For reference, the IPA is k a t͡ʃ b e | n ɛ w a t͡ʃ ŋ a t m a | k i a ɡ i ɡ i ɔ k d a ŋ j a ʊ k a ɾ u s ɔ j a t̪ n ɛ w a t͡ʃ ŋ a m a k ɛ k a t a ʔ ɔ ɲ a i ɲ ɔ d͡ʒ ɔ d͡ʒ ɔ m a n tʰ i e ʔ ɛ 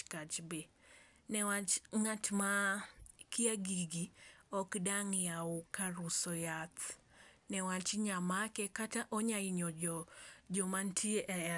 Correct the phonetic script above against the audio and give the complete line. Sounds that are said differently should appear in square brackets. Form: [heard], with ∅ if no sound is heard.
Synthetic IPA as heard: k a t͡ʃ b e | n ɛ w a t͡ʃ ŋ a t m a | k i a ɡ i ɡ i ɔ k d a ŋ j a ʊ k a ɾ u s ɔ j a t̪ n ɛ w a t͡ʃ [ɲ] a m a k ɛ k a t a ʔ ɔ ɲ a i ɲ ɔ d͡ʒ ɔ d͡ʒ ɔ m a n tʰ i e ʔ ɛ

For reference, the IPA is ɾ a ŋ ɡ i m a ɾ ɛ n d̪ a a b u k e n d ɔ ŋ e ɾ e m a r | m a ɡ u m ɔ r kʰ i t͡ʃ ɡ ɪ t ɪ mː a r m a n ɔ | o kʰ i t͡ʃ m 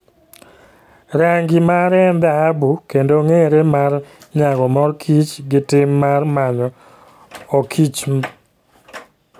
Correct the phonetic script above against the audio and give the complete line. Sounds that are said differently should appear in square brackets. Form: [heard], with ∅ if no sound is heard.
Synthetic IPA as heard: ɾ a ŋ ɡ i m a ɾ ɛ n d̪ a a b u k e n d [o] ŋ e ɾ e m a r | [ɲ] a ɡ [ɔ] m ɔ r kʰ i t͡ʃ ɡ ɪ t ɪ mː a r m a [ɲ] ɔ | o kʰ i t͡ʃ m

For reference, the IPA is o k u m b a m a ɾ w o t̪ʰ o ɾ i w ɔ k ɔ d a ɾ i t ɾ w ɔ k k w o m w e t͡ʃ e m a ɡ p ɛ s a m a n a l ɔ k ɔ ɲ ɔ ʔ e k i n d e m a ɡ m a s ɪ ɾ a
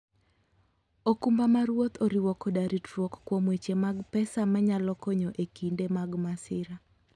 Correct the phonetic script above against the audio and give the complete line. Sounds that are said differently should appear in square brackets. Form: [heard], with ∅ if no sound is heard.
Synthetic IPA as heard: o k u m b a m a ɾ w o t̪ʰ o ɾ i w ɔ k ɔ d a ɾ i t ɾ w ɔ k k w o m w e t͡ʃ e m a ɡ p ɛ s a m a [ɲ] a l ɔ k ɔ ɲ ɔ ʔ e k i n d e m a ɡ m a s ɪ ɾ a

